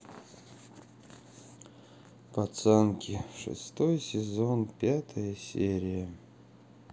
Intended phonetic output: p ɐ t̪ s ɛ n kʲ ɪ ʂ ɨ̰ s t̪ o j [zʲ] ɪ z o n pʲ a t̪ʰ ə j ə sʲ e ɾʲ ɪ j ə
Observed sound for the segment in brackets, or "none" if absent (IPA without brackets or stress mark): sʲ